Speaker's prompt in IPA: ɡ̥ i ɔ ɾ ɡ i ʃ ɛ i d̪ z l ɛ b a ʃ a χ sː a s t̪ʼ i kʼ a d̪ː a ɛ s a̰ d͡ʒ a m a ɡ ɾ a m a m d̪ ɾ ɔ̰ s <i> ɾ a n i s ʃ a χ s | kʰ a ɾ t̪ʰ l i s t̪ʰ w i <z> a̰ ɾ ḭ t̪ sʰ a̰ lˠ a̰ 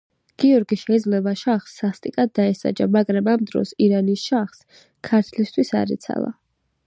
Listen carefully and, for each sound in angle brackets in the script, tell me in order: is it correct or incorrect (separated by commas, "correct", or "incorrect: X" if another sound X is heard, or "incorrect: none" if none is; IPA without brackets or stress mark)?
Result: correct, incorrect: s